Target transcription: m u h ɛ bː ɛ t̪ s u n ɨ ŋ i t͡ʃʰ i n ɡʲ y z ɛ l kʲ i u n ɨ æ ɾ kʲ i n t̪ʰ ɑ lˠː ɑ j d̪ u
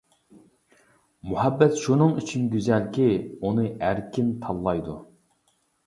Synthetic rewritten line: m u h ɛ bː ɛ t̪ ʃ u n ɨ ŋ y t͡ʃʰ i n ɡʲ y z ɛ l kʲ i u n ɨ æ ɾ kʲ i n t̪ʰ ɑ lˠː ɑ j d̪ u